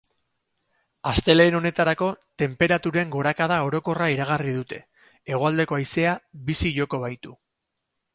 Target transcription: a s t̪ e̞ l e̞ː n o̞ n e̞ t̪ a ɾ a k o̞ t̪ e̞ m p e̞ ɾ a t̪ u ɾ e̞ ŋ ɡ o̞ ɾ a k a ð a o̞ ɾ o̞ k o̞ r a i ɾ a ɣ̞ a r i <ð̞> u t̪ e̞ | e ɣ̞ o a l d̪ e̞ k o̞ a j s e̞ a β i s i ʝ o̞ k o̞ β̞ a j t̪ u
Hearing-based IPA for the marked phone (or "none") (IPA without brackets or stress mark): ð̞